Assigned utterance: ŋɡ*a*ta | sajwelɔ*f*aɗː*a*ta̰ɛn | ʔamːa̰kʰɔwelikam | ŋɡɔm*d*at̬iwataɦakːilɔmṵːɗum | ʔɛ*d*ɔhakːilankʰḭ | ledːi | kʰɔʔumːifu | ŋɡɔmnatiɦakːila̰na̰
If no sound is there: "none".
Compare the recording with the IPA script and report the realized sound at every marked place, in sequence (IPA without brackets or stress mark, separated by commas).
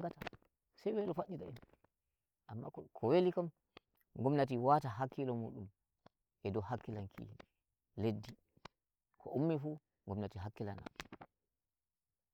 a, f, i, n, d